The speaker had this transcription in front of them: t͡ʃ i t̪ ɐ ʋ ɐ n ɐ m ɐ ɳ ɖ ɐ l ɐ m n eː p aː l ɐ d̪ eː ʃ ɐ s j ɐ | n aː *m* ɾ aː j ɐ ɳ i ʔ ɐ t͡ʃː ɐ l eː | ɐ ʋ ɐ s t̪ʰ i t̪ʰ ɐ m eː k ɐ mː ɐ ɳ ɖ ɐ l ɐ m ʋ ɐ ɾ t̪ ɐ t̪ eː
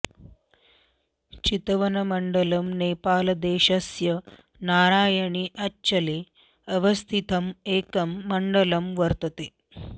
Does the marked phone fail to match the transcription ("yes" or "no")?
yes